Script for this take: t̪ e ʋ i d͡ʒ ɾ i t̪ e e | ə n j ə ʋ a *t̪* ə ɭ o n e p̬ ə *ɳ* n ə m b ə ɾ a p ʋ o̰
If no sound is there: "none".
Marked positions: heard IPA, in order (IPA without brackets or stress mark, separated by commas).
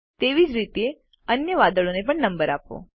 d̪, ɳ